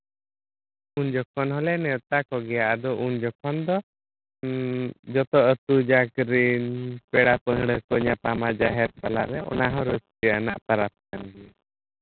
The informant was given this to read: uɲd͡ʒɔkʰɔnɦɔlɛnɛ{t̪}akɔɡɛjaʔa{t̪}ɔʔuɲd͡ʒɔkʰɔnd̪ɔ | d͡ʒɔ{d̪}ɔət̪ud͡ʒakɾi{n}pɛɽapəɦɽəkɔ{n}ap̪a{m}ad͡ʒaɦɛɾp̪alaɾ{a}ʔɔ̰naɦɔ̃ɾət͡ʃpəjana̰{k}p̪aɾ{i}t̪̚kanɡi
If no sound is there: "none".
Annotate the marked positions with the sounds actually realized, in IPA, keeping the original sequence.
t̪, d̪, t̪, n, ɲ, m, ɛ, ʔ, a

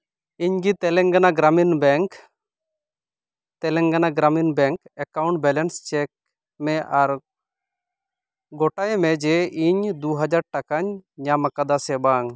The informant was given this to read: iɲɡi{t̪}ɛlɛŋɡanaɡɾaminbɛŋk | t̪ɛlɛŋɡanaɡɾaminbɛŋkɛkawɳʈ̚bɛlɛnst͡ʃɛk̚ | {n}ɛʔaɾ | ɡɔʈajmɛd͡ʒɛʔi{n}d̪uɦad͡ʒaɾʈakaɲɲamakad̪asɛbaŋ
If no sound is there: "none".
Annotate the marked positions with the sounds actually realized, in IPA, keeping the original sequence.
t̪, m, ɲ

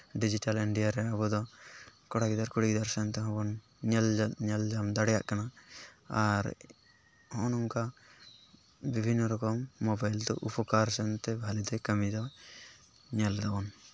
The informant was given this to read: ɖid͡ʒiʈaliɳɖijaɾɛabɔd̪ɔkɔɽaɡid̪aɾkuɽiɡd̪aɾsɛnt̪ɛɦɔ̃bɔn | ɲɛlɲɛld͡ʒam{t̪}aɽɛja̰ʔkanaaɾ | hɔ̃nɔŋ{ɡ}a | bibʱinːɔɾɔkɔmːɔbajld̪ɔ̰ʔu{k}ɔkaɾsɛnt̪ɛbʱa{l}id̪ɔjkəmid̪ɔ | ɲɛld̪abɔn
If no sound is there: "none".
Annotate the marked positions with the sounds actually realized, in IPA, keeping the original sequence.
d̪, k, p, l

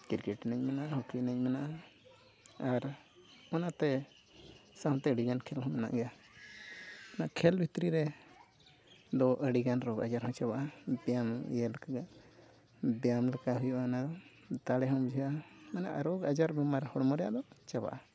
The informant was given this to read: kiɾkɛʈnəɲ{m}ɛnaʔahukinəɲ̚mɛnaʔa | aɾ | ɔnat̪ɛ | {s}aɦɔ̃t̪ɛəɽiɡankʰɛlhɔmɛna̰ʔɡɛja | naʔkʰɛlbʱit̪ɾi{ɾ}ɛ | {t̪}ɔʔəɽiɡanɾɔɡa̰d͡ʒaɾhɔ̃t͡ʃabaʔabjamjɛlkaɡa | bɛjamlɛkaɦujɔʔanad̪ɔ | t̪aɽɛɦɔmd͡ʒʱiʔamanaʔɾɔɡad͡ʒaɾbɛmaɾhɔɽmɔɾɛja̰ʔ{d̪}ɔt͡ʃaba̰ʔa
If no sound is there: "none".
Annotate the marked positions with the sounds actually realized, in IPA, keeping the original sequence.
m, s, ɾ, d̪, d̪

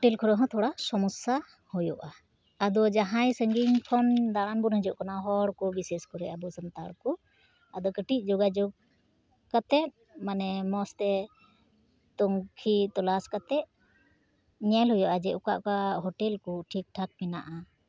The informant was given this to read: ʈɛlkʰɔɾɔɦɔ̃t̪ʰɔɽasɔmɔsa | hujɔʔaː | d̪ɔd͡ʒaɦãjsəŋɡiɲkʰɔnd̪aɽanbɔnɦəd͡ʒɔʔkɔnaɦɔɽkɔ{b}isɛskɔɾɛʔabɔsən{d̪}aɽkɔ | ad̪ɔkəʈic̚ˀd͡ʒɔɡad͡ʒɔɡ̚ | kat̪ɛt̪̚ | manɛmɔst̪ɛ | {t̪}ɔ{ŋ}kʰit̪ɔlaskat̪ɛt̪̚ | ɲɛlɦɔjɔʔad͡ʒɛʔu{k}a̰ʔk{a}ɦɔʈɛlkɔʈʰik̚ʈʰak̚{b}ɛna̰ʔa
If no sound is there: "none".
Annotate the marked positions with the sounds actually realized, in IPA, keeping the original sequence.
b, t̪, t̪, ŋ, k, a, m

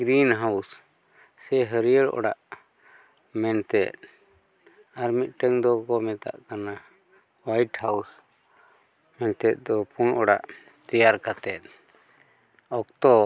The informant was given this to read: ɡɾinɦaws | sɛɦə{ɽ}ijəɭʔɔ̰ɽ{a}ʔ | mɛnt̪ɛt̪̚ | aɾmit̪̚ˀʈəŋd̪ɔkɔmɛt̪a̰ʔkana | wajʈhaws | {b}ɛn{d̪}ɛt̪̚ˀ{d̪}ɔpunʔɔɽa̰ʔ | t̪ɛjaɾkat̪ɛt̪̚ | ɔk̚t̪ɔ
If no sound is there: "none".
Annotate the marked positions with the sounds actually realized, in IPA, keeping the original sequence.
ɾ, a, m, t̪, d̪

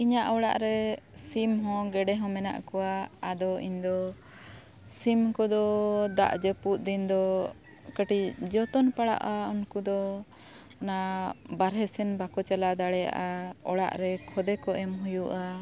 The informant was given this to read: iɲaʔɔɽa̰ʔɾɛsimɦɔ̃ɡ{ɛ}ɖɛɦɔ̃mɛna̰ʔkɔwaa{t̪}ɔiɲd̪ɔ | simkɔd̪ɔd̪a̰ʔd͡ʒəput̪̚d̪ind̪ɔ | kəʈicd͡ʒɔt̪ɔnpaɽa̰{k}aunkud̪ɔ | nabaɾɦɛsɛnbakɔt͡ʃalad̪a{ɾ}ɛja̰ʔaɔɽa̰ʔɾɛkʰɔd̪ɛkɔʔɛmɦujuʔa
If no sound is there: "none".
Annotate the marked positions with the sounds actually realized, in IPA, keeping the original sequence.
ɛ, d̪, ʔ, ɽ

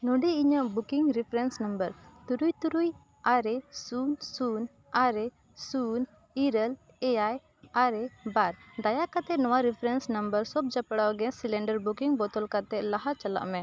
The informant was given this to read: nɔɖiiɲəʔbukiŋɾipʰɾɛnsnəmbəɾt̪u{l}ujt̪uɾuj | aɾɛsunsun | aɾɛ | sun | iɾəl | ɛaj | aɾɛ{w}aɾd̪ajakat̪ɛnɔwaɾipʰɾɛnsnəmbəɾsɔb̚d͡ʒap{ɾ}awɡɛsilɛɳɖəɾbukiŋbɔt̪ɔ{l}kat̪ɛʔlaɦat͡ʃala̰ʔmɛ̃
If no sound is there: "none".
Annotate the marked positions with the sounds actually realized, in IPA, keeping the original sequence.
ɾ, b, ɽ, l

